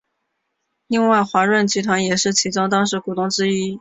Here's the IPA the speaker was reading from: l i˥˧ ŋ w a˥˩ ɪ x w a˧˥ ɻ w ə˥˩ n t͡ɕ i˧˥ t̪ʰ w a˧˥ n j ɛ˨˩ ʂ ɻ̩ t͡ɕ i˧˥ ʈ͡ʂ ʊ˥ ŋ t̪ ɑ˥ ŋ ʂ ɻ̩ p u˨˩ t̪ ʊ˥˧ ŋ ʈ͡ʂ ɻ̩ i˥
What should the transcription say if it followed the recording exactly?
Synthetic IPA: l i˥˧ ŋ w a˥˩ ɪ x w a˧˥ ɻ w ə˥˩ n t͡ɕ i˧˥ t̪ʰ w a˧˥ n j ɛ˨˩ ʂ ɻ̩ t͡ɕʰ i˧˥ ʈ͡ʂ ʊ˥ ŋ t̪ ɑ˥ ŋ ʂ ɻ̩ k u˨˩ t̪ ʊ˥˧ ŋ ʈ͡ʂ ɻ̩ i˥